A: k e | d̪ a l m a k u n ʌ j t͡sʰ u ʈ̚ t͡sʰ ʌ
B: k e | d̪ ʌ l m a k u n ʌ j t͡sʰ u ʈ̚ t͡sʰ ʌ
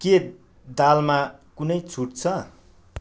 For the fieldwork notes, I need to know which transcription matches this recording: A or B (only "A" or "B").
A